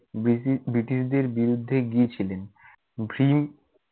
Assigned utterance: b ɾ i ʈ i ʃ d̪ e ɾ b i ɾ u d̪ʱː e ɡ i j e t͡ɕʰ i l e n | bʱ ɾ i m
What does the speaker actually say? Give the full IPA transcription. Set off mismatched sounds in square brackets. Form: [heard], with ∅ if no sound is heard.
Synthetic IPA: b ɾ i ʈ i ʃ d̪ e ɾ b i ɾ u d̪ʱː e ɡ i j e t͡ɕʰ i l e n | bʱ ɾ i m